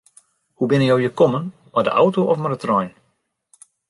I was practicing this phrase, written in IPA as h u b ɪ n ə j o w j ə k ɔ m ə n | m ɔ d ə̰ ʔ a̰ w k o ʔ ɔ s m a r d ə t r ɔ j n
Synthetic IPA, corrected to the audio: h u b ɪ n ə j o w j ə k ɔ m ə n | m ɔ d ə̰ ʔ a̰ w t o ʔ ɔ f m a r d ə t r ɔ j n